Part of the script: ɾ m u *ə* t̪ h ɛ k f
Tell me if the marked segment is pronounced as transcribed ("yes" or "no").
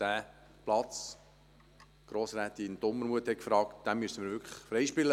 yes